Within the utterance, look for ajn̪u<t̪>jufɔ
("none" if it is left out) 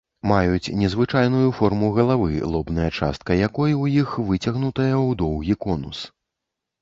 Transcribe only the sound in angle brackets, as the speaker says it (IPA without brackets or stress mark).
none